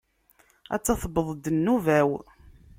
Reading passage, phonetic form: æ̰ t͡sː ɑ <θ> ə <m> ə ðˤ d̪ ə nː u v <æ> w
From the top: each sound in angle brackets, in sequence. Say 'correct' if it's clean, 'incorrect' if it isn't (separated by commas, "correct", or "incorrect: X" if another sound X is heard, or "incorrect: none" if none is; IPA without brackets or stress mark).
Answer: correct, incorrect: b, correct